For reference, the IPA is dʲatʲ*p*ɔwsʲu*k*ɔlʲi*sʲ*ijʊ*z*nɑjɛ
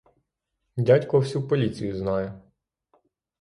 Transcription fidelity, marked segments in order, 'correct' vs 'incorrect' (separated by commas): incorrect, incorrect, incorrect, correct